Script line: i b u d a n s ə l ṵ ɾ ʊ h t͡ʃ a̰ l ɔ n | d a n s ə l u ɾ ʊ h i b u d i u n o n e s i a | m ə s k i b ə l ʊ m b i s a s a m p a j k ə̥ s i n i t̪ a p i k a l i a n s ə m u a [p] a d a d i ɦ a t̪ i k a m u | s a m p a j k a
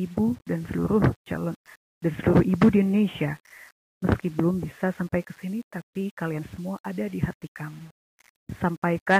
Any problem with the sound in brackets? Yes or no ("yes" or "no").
yes